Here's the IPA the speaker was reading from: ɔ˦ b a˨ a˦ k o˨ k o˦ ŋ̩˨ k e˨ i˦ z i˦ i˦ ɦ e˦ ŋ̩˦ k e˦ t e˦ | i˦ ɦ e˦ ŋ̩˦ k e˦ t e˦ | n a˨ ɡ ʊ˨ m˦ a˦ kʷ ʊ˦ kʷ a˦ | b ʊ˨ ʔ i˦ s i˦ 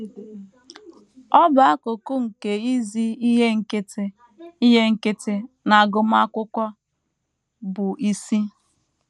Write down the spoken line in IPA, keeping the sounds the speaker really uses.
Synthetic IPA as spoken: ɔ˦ b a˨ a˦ k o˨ k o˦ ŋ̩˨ k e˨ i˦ z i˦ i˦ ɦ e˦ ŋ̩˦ k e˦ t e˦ | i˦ ɦ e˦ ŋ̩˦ k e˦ t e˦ | n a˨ ɡ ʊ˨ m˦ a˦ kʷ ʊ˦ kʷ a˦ | b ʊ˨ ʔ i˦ s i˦